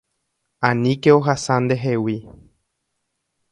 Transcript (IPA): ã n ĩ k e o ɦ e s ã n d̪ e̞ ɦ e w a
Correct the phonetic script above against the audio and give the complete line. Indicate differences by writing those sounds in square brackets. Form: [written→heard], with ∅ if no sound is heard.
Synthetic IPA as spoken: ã n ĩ k e o ɦ [e→a] s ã n d̪ e̞ ɦ e w [a→i]